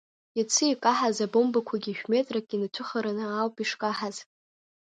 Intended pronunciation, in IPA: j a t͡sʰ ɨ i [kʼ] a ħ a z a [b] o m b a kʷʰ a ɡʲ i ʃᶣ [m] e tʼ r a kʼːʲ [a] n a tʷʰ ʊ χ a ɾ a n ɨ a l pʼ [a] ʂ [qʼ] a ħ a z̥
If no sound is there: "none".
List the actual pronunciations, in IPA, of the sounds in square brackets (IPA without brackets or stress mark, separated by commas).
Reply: kʼ, b, m, i, i, kʼ